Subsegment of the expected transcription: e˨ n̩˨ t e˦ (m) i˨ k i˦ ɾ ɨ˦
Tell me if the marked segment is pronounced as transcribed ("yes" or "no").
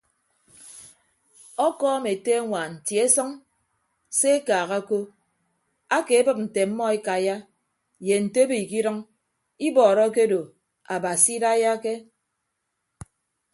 no